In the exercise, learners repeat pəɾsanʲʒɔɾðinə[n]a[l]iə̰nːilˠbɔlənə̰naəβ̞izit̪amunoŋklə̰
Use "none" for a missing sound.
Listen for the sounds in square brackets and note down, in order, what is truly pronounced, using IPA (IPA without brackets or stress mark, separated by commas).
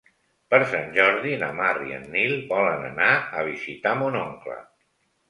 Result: m, r